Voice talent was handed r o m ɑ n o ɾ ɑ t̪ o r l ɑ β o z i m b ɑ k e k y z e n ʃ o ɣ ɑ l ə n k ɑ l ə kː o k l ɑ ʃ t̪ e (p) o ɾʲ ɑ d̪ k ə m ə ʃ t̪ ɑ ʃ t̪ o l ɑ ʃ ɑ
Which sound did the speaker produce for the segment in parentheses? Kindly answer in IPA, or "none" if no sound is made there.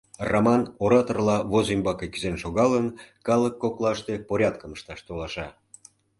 p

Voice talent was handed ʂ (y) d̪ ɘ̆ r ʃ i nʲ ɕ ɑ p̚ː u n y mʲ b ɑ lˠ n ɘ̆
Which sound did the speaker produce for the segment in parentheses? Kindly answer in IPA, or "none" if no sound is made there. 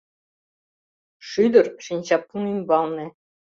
y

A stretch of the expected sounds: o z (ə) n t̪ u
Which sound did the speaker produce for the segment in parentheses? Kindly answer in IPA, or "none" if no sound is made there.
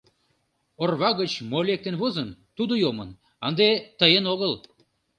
ə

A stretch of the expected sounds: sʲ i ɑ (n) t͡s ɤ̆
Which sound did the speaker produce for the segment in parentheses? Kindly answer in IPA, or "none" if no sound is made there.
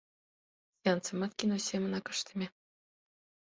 n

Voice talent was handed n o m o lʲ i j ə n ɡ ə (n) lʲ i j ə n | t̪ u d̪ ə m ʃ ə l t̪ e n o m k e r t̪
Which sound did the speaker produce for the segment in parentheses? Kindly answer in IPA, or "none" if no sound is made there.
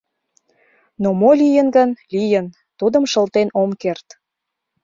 n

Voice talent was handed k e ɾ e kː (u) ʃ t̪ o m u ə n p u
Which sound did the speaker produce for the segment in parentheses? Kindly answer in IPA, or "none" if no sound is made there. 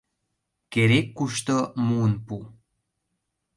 u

